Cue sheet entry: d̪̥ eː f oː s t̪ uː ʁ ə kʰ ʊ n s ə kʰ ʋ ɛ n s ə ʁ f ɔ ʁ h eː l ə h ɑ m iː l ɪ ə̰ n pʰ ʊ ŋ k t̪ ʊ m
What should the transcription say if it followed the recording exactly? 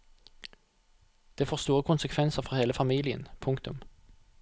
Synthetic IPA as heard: d̪̥ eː f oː s t̪ uː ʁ ə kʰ ʊ n s ə kʰ ʋ ɛ n s ə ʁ f ɔ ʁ h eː l ə f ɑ m iː l ɪ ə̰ n pʰ ʊ ŋ k t̪ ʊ m